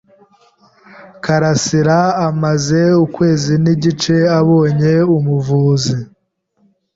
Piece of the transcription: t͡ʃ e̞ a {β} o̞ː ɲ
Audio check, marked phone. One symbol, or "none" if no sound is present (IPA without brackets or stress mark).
β